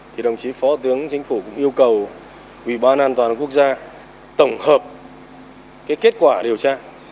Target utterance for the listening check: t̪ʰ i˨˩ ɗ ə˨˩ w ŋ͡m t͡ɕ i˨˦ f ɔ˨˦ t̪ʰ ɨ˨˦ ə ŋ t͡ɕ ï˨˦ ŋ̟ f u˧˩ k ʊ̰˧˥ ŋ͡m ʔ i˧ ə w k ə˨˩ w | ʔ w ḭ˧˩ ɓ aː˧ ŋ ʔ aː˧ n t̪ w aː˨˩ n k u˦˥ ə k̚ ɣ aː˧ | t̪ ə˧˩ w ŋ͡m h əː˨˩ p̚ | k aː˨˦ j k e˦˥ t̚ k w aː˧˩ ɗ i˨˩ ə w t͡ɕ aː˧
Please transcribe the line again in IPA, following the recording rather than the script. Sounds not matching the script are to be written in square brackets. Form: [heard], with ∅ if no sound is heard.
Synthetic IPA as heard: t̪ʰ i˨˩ ɗ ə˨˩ w ŋ͡m t͡ɕ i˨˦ f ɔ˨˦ [t̪] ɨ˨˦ ə ŋ t͡ɕ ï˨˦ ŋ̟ f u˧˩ k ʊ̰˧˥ ŋ͡m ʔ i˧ ə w k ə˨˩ w | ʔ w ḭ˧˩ ɓ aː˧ [n] ʔ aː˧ n t̪ w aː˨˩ n k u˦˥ ə k̚ [z] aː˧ | t̪ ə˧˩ w ŋ͡m h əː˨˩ p̚ | k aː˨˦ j k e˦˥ t̚ k w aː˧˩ ɗ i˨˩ ə w t͡ɕ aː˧